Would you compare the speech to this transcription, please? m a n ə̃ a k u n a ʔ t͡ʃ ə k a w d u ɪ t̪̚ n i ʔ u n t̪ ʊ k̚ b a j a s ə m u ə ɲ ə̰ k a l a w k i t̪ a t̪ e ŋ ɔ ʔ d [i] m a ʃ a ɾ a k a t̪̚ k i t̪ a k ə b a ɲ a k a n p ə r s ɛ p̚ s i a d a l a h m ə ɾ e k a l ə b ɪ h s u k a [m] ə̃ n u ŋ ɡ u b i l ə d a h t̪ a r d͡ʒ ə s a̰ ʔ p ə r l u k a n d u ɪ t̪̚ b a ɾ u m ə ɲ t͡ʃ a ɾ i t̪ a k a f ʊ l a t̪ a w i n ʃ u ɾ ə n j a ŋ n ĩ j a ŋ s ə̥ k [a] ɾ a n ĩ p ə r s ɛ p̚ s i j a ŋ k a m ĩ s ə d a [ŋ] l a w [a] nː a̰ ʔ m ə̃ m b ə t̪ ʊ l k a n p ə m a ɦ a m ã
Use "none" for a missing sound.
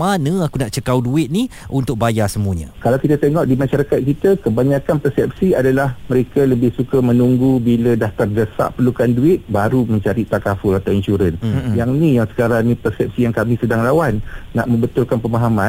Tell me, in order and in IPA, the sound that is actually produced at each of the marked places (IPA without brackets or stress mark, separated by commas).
i, m, a, ŋ, a